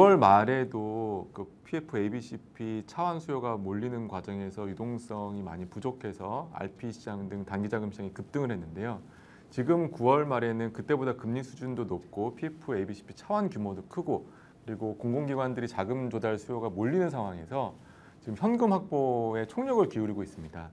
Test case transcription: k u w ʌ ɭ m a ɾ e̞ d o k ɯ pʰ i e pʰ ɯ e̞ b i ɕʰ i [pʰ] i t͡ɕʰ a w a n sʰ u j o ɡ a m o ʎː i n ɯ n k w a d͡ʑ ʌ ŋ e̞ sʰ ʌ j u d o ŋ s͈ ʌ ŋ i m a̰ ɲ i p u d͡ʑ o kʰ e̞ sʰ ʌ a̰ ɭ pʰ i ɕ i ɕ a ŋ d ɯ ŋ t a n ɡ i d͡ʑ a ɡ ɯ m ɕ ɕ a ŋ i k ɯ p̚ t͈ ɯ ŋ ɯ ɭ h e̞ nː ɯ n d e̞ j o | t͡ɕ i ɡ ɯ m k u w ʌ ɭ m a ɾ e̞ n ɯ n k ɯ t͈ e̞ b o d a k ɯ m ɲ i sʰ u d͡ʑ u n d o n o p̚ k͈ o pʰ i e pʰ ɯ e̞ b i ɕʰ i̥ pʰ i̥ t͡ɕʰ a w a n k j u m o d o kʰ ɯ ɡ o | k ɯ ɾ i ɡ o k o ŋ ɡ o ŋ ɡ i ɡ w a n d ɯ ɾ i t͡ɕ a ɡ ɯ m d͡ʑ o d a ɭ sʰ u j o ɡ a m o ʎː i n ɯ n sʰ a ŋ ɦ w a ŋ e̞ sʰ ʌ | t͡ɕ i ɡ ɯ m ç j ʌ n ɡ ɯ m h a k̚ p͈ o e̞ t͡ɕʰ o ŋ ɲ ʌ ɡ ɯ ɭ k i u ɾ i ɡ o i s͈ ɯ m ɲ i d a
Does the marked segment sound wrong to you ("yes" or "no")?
no